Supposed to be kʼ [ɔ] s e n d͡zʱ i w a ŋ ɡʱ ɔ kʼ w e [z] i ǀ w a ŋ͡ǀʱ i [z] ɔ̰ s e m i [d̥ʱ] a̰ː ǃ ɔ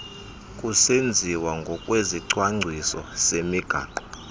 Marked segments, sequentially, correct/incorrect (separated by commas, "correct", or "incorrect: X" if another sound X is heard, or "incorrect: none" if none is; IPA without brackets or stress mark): incorrect: u, correct, incorrect: s, incorrect: ɡ̥ʱ